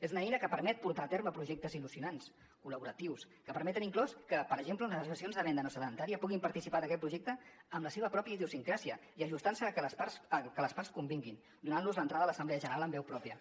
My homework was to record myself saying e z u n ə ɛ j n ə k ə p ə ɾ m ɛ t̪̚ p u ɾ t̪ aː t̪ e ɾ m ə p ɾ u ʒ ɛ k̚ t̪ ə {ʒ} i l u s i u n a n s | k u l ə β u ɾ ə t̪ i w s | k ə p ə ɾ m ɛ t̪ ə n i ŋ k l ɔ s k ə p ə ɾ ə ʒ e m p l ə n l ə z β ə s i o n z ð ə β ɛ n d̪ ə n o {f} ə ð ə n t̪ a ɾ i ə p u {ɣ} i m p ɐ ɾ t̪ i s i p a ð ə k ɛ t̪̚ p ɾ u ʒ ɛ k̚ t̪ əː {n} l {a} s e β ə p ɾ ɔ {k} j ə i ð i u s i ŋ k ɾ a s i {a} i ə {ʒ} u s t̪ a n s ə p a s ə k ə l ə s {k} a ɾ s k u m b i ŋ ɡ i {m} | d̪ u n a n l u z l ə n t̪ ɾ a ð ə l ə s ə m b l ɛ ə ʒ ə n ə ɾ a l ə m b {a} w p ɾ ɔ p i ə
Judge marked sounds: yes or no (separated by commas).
no, no, yes, no, no, no, no, yes, no, no, no